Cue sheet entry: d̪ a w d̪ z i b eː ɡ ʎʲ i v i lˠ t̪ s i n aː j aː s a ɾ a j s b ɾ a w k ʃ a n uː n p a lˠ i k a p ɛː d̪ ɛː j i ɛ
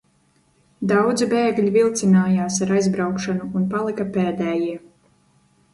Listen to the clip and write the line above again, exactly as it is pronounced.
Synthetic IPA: d̪ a w d̪ z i b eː ɡ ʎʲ i v i lˠ t̪ s i n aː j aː s a ɾ a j z b ɾ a w k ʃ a n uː n p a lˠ i k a p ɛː d̪ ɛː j i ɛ